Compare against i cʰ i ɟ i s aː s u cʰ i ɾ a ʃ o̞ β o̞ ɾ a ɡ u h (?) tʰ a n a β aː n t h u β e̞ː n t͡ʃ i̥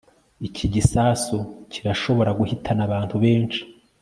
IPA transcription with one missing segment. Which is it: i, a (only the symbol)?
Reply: i